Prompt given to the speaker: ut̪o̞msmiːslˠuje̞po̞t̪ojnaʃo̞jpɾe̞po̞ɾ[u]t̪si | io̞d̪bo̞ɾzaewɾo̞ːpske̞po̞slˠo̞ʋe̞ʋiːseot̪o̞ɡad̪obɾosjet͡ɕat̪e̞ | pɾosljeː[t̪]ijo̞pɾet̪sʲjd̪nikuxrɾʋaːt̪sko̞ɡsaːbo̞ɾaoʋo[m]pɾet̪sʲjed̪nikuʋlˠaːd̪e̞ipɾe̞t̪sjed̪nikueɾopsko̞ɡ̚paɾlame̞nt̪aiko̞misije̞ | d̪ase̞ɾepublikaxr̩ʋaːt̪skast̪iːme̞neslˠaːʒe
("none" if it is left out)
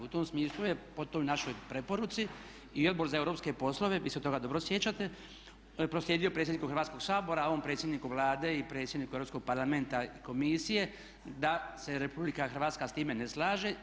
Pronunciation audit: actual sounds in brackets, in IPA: u, d̪, m

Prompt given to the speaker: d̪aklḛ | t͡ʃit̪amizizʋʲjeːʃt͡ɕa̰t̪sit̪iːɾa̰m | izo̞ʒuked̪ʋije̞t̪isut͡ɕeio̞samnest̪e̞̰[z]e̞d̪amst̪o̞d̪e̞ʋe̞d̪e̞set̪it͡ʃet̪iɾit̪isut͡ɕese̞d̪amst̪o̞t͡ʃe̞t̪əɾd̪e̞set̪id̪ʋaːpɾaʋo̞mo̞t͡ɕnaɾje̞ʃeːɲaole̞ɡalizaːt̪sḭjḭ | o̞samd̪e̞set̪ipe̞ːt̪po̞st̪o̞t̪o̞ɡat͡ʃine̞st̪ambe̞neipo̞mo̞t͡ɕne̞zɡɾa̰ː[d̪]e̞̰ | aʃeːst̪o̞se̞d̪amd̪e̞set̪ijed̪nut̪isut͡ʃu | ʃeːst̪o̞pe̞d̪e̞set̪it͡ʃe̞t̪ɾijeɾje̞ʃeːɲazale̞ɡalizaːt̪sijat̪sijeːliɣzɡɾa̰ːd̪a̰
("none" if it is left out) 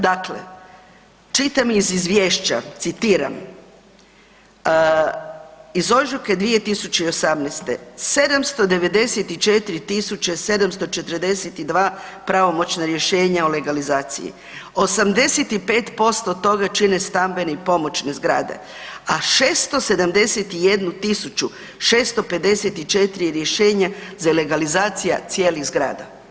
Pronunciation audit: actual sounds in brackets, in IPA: s, d̪

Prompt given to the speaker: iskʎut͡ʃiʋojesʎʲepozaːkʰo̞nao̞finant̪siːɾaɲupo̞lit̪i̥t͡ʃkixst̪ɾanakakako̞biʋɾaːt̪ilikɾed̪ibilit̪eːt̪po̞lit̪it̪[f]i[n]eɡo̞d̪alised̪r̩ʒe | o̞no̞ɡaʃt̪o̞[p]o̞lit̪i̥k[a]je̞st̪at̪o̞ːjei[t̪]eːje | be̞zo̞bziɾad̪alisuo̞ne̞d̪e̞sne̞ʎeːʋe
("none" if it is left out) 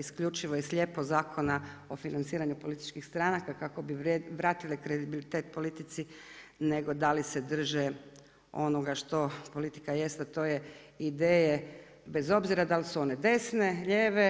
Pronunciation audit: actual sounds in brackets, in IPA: s, n, p, a, d̪

